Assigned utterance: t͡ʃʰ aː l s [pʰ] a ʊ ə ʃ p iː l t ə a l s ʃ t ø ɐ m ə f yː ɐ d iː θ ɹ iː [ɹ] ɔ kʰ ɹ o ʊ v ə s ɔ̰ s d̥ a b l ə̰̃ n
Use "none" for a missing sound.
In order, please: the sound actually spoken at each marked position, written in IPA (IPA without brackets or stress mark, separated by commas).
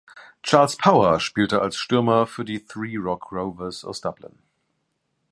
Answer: pʰ, ɹ